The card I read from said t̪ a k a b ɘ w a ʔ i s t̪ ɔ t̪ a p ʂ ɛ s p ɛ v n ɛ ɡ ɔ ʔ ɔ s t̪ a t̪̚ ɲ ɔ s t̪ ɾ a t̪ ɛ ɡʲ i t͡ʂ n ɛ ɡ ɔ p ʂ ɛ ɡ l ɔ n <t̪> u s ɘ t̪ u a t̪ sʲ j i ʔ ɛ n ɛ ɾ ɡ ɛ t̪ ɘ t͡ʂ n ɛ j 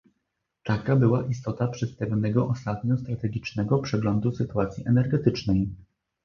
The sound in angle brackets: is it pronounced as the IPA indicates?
no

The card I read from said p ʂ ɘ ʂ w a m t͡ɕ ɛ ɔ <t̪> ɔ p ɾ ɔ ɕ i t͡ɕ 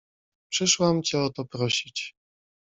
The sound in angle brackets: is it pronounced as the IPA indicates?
yes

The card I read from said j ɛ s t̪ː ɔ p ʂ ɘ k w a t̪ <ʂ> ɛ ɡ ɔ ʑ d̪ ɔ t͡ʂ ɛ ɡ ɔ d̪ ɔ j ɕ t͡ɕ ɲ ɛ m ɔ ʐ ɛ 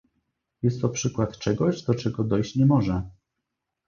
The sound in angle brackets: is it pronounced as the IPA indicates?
no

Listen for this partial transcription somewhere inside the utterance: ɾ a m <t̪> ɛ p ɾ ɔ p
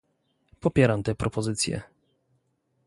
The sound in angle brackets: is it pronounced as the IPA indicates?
yes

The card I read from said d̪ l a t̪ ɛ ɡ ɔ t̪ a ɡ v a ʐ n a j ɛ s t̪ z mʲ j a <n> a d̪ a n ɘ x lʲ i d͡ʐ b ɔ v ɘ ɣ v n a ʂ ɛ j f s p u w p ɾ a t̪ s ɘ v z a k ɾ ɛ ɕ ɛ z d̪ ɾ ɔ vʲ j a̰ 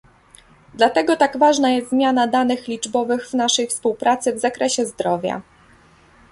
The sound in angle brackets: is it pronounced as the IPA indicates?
yes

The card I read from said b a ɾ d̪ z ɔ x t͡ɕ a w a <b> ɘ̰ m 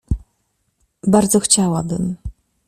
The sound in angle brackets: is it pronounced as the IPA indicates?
yes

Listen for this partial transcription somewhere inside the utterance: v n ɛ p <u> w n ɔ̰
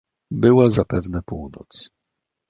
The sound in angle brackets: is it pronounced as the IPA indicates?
yes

